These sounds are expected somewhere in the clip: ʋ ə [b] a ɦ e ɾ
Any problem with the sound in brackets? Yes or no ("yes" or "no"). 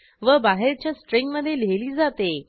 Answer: no